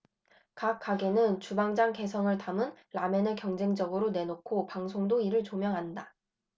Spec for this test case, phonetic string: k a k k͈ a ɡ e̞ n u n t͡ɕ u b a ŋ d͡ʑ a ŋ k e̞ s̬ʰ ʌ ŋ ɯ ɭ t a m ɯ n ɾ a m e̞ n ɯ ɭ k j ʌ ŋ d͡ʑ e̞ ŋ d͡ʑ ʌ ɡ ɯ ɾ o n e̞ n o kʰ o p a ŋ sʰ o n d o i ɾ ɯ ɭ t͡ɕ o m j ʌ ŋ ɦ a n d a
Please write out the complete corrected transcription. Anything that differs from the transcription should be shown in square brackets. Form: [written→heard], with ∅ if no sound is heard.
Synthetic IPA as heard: k a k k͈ a ɡ e̞ n [u→ɯ] n t͡ɕ u b a ŋ d͡ʑ a ŋ k e̞ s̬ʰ ʌ ŋ ɯ ɭ t a m ɯ n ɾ a m e̞ n ɯ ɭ k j ʌ ŋ d͡ʑ e̞ ŋ d͡ʑ ʌ ɡ ɯ ɾ o n e̞ n o kʰ o p a ŋ sʰ o [n→ŋ] d o i ɾ ɯ ɭ t͡ɕ o m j ʌ ŋ ɦ a n d a